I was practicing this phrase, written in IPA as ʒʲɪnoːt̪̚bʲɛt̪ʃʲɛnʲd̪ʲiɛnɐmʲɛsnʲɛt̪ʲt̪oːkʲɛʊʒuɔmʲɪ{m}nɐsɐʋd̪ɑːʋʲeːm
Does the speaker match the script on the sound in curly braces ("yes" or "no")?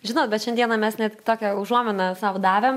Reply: no